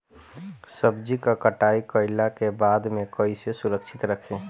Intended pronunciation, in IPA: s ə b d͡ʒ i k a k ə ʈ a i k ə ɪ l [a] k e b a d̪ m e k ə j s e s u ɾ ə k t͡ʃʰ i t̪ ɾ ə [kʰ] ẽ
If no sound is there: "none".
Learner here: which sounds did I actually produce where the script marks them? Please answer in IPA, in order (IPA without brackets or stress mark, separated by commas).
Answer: a, kʰ